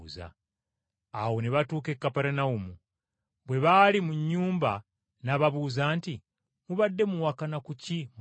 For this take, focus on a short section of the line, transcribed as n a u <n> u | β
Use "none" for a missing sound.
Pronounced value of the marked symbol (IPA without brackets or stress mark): m